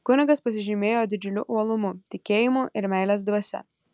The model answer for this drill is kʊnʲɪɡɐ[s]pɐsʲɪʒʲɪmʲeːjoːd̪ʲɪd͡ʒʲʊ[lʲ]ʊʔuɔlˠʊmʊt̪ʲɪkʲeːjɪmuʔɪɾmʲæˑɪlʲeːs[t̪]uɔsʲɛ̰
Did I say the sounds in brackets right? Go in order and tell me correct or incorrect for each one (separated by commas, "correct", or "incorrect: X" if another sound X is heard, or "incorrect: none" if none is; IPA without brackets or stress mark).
correct, correct, incorrect: d̪